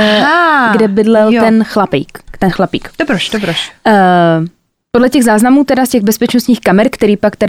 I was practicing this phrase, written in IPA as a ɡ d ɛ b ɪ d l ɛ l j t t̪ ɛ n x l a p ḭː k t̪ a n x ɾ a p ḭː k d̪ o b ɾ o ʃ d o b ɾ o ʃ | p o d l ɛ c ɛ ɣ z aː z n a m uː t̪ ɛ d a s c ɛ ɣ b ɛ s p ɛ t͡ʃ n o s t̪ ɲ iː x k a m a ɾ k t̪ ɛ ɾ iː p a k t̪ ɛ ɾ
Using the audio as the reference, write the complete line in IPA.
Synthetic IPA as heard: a ɡ d ɛ b ɪ d l ɛ l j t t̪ ɛ n x l a p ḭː k t̪ ɛ n x l a p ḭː k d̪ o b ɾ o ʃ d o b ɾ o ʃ | p o d l ɛ c ɛ ɣ z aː z n a m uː t̪ ɛ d a s c ɛ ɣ b ɛ s p ɛ t͡ʃ n o s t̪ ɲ iː x k a m ɛ ɾ k t̪ ɛ ɾ iː p a k t̪ ɛ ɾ